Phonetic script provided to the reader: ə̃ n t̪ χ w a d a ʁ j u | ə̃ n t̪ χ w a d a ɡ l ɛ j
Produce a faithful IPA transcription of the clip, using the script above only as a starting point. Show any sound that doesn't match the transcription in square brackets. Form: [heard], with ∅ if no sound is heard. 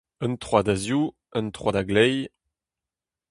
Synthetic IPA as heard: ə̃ n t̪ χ w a d a [z] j u | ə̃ n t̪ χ w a d a ɡ l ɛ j